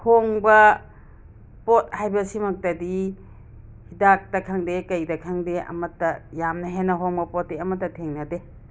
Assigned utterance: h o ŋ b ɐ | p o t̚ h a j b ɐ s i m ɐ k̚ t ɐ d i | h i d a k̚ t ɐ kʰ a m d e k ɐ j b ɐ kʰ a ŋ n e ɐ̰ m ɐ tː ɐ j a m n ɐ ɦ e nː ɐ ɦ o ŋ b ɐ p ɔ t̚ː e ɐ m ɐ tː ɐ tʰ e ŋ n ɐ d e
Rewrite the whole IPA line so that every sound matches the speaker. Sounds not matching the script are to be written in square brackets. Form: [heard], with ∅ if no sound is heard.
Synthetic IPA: h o ŋ b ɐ | p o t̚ h a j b ɐ s i m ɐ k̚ t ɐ d i | h i d a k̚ t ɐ kʰ a [ŋ] d e k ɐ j [d] ɐ kʰ a ŋ [d] e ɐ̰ m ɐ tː ɐ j a m n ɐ ɦ e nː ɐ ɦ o ŋ b ɐ p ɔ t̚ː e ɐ m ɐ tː ɐ tʰ e ŋ n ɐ d e